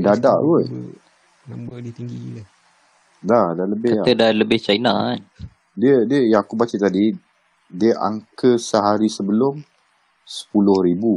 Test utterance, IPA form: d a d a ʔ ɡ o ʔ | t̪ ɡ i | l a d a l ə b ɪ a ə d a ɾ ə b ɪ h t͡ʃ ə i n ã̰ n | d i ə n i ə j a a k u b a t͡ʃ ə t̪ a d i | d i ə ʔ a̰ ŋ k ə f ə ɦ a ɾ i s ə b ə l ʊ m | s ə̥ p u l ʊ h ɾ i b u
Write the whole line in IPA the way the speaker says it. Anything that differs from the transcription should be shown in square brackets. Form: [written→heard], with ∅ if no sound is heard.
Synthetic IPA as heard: d a d a ʔ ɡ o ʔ | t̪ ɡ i | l a d a l ə b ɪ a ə d a [ɾ→l] ə b ɪ h t͡ʃ [ə→a] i n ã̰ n | d i ə [n→d] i ə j a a k u b a t͡ʃ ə t̪ a d i | d i ə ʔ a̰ ŋ k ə [f→s] ə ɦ a ɾ i s ə b ə l ʊ m | s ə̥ p u l ʊ h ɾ i b u